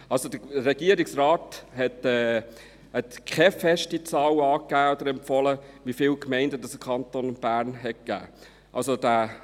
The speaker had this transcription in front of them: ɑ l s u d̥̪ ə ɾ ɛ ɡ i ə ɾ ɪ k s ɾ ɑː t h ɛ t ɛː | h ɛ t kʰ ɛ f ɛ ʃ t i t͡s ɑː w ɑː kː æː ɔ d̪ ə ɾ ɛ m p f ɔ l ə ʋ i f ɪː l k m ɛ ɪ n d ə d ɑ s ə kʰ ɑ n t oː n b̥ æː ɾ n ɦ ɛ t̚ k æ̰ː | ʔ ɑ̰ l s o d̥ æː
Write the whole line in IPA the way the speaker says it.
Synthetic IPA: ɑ l s o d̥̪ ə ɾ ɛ ɡ i ə ɾ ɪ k s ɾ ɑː t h ɛ t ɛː | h ɛ t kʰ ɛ f ɛ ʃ t i t͡s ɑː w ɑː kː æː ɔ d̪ ə ɾ ɛ m p f ɔ l ə ʋ i f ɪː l k m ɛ ɪ n d ə d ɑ s ə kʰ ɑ n t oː n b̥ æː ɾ n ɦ ɛ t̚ k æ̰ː | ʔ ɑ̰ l s o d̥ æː